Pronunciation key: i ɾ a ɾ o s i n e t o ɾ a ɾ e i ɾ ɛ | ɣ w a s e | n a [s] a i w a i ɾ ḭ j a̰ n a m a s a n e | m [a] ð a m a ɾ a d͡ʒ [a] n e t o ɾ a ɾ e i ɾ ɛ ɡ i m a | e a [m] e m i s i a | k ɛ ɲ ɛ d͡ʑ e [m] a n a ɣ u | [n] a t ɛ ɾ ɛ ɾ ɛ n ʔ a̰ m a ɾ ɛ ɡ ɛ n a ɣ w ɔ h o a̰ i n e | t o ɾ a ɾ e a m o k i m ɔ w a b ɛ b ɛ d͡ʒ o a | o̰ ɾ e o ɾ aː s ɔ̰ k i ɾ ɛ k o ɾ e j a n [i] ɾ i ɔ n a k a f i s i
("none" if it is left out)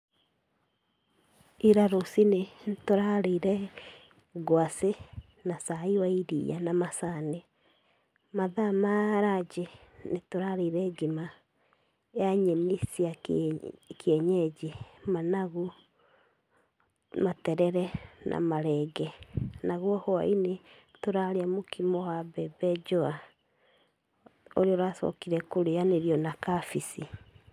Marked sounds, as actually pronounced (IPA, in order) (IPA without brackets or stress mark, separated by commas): s, a, e, ɲ, m, m, e